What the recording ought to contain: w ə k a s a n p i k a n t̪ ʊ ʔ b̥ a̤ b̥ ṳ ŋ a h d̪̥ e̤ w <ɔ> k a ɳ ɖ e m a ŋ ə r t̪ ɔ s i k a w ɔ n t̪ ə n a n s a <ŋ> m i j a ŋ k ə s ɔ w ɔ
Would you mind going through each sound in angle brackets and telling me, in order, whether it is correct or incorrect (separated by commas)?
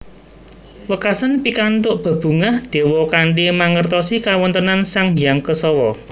correct, correct